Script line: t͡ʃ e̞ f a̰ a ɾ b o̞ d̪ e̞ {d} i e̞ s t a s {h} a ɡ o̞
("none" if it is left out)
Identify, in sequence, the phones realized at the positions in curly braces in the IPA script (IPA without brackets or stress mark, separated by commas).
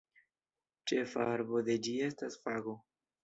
d͡ʒ, f